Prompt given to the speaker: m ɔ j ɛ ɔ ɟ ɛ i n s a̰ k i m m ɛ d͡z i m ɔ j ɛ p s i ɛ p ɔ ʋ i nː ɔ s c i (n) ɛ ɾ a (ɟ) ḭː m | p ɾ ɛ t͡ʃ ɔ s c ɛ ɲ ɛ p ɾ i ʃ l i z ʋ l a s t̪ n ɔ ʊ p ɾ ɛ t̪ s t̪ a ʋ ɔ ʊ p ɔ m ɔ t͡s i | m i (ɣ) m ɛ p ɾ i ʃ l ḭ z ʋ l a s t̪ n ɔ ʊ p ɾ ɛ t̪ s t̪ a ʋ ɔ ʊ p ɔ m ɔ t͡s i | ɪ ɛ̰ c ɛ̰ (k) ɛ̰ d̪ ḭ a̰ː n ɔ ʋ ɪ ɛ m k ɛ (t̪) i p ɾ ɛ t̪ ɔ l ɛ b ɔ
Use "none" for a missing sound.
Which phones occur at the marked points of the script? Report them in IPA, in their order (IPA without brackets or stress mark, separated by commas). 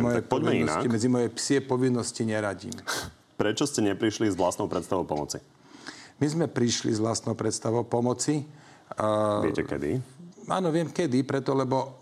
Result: ɲ, ɟ, z, k, d̪